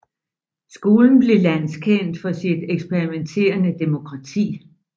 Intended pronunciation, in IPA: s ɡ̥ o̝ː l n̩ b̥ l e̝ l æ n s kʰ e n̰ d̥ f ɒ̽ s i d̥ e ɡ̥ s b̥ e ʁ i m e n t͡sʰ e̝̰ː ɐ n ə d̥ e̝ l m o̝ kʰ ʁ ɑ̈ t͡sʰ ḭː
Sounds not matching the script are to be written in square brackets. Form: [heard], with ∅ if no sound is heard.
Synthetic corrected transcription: s ɡ̥ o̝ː l n̩ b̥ l e̝ l æ n s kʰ e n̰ d̥ f ɒ̽ s i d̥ e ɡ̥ s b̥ e ʁ i m e n t͡sʰ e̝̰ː ɐ n ə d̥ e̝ [∅] m o̝ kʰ ʁ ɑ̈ t͡sʰ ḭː